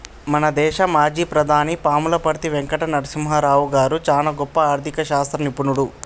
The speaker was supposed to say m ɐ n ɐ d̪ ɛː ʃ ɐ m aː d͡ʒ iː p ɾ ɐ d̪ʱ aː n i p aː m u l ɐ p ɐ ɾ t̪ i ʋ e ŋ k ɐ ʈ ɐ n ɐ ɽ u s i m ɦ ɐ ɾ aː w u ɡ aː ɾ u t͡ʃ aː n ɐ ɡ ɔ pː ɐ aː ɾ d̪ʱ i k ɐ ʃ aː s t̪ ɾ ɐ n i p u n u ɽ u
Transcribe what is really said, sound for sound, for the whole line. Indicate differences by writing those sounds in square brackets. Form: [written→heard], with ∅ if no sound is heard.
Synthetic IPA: m ɐ n ɐ d̪ ɛː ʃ ɐ m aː d͡ʒ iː p ɾ ɐ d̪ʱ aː n i p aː m u l ɐ p ɐ ɾ t̪ i ʋ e ŋ k ɐ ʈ ɐ n ɐ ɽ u s i m ɦ ɐ ɾ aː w u ɡ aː ɾ u t͡ʃ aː n ɐ ɡ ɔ pː ɐ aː ɾ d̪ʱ i k ɐ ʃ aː s t̪ ɾ ɐ n i p u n u ɽ u